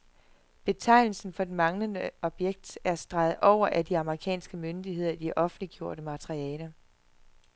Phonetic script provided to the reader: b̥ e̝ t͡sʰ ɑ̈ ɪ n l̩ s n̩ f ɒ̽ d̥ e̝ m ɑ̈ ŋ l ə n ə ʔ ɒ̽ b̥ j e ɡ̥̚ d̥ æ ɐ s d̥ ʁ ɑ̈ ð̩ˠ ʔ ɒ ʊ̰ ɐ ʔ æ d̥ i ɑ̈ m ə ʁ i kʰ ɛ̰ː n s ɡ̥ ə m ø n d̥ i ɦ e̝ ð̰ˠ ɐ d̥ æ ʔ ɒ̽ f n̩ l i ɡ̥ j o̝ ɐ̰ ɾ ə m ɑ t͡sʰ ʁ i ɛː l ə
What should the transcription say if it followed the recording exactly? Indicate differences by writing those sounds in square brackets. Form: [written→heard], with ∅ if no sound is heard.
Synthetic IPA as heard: b̥ e̝ t͡sʰ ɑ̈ ɪ n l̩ s n̩ f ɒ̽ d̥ e̝ m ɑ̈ ŋ l ə n ə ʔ ɒ̽ b̥ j e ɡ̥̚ d̥ æ ɐ s d̥ ʁ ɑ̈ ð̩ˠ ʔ ɒ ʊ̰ ɐ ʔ æ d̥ i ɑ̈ m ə ʁ i kʰ ɛ̰ː n s ɡ̥ ə m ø n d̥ i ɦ e̝ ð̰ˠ ɐ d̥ [æ→i] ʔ ɒ̽ f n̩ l i ɡ̥ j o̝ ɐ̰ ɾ ə m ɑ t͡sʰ ʁ i ɛː l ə